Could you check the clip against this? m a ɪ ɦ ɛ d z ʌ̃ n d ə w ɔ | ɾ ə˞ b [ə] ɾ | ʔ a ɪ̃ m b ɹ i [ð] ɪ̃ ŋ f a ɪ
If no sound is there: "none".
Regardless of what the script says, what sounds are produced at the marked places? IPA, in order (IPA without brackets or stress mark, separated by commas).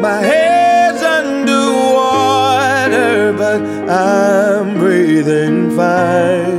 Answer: ʌ, ð